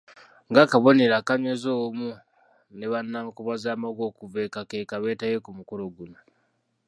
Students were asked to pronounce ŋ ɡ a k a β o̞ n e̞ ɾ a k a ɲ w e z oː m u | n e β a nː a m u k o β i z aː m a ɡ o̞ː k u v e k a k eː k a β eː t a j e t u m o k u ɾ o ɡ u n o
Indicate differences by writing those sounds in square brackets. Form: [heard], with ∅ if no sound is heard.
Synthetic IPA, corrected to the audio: ŋ ɡ a k a β o̞ n e̞ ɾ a k a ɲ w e z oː m u | n e β a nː a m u k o β [a] z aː m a ɡ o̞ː k u v e k a k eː k a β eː t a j e [k] u m [u] k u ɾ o ɡ u n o

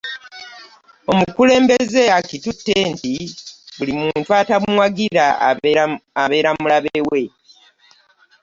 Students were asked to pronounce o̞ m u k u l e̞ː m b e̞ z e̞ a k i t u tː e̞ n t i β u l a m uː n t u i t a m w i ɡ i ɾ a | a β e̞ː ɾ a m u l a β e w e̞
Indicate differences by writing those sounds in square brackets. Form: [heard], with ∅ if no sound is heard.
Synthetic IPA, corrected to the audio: o̞ m u k u l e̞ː m b e̞ z e̞ a k i t u tː e̞ n t i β u l [i] m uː n t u [a] t a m w [a] ɡ i ɾ a | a β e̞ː ɾ a m u l a β e w e̞

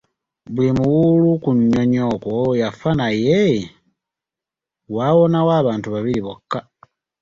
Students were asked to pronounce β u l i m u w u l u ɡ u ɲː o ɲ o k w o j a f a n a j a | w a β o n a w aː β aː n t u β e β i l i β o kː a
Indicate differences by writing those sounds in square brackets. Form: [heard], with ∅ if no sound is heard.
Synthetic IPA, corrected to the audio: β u l i m u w u l u [k] u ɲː o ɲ o k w o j a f a n a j [e] | w a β o n a w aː β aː n t u β [a] β i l i β o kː a

